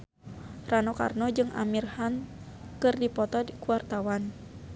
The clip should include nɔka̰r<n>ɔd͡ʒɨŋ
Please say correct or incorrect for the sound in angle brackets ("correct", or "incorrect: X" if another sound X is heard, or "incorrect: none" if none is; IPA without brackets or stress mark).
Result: correct